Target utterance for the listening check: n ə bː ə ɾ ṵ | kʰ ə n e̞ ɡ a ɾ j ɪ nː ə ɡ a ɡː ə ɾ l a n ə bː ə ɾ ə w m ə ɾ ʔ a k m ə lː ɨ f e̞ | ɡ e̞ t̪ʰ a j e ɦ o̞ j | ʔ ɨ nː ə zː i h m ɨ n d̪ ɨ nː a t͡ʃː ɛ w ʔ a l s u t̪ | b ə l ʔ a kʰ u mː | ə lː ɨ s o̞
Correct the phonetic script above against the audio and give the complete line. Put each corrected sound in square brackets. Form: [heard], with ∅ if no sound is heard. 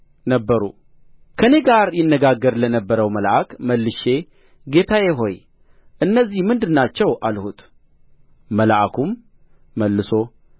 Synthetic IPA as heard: n ə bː ə ɾ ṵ | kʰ ə n e̞ ɡ a ɾ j ɪ nː ə ɡ a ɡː ə ɾ l [ə] n ə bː ə ɾ ə w m ə [l] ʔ a k m ə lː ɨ [ʃ] e̞ | ɡ e̞ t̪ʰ a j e ɦ o̞ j | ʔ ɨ nː ə zː i h m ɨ n d̪ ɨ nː a t͡ʃː ɛ w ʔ a l [h] u t̪ | [m] ə l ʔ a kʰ u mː | ə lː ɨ s o̞

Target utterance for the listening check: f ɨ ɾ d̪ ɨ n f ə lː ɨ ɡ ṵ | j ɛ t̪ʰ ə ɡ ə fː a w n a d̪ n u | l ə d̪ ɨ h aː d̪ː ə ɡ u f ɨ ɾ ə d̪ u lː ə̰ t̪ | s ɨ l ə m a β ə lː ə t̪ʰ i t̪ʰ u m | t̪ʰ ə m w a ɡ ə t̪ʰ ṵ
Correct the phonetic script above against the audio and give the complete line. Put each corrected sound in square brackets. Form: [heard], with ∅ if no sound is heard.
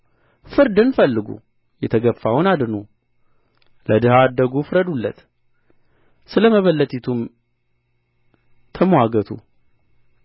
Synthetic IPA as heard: f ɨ ɾ d̪ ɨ n f ə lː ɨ ɡ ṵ | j ɛ t̪ʰ ə ɡ ə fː a w n a d̪ n u | l ə d̪ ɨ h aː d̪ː ə ɡ u f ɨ ɾ ə d̪ u lː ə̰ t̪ | s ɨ l ə m [ə] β ə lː ə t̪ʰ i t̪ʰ u m | t̪ʰ ə m w a ɡ ə t̪ʰ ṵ

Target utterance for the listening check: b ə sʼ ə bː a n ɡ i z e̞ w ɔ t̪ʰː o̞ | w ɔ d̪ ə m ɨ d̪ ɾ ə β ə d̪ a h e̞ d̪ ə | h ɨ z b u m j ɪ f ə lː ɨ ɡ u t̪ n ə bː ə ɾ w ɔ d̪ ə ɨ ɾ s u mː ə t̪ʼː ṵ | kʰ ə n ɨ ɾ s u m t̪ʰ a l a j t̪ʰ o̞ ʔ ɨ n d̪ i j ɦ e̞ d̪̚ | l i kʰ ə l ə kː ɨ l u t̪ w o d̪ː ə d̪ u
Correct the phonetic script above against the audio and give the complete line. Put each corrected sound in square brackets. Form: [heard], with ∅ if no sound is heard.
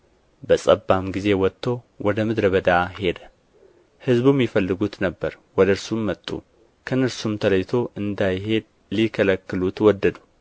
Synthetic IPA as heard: b ə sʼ ə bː a [m] ɡ i z e̞ w ɔ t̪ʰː o̞ | w ɔ d̪ ə m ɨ d̪ ɾ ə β ə d̪ a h e̞ d̪ ə | h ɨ z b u m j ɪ f ə lː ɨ ɡ u t̪ n ə bː ə ɾ w ɔ d̪ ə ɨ ɾ s u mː ə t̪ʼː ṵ | kʰ ə n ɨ ɾ s u m t̪ʰ [ə] l [ə] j t̪ʰ o̞ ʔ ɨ n d̪ [a] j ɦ e̞ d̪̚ | l i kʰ ə l ə kː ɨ l u t̪ w [ɔ] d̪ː ə d̪ u

